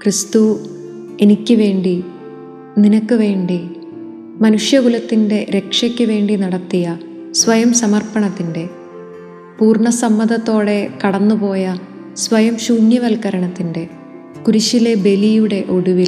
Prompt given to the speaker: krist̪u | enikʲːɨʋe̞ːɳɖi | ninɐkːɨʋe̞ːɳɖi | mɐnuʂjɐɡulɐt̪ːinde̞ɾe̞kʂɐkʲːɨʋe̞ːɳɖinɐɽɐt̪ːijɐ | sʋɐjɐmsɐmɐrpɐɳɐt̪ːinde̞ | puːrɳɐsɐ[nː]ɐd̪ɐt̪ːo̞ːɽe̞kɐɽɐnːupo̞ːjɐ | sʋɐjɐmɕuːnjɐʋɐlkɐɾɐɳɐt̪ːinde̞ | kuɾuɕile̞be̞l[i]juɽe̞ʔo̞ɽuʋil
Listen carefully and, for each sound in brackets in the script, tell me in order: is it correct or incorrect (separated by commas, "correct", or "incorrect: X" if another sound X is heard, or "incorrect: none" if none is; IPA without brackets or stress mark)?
incorrect: mː, correct